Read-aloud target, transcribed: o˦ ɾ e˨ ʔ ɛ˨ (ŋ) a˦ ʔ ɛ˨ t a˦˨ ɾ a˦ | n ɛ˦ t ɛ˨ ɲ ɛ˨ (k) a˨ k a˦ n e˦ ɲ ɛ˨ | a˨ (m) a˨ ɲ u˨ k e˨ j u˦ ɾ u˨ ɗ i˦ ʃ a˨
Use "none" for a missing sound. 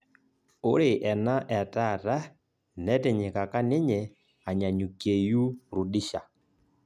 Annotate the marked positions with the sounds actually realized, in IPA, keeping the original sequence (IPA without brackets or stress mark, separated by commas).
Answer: n, k, ɲ